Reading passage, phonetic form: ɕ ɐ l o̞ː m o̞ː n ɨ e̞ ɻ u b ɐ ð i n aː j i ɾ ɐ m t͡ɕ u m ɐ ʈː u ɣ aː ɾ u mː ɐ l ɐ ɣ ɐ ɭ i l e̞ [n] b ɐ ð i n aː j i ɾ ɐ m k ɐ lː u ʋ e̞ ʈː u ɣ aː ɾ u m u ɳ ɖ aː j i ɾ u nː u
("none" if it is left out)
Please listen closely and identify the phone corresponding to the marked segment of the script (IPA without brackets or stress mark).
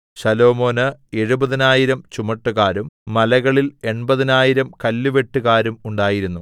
ɳ